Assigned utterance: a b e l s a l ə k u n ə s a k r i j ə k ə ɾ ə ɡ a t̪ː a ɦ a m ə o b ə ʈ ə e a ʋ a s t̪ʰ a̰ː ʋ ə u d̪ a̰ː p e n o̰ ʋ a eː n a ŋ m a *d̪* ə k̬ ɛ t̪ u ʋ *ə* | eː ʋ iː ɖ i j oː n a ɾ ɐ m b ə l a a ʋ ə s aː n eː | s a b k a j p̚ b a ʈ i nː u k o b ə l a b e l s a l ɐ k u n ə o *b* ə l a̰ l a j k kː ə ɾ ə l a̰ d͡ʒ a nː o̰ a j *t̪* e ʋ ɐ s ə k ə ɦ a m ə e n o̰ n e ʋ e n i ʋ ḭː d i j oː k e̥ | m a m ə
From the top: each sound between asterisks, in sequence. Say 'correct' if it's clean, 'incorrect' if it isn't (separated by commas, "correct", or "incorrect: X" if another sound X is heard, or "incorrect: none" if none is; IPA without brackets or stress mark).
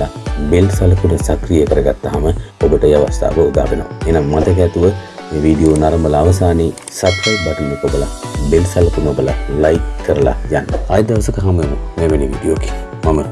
incorrect: t̪, correct, correct, incorrect: d̪